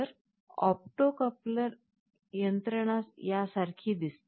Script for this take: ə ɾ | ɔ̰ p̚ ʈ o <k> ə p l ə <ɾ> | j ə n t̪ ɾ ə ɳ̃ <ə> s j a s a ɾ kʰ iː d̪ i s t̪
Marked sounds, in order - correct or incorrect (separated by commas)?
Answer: correct, correct, incorrect